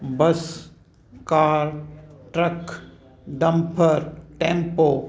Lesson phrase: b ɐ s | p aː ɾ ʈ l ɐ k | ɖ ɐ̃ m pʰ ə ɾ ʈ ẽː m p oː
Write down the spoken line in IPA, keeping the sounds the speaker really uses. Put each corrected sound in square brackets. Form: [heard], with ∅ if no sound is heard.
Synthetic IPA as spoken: b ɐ s | [k] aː ɾ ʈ [ɾ] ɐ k | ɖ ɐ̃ m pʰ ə ɾ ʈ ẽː m p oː